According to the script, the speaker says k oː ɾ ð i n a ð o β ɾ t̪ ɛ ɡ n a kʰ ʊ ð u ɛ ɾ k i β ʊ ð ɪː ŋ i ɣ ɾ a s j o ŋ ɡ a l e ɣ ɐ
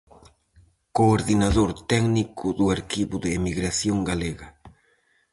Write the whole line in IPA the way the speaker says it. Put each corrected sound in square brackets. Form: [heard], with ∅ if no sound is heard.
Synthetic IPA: k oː ɾ ð i n a ð o [∅] ɾ t̪ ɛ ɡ n [i] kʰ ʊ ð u [a] ɾ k i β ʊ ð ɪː [m] i ɣ ɾ a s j o ŋ ɡ a l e ɣ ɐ